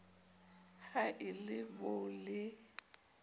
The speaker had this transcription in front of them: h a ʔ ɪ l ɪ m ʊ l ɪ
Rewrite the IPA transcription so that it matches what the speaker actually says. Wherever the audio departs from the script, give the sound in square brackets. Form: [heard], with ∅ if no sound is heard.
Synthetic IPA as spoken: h a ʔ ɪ l ɪ [b] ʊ l ɪ